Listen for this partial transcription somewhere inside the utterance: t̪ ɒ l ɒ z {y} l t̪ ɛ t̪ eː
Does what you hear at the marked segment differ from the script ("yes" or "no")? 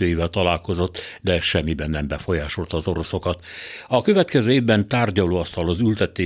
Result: no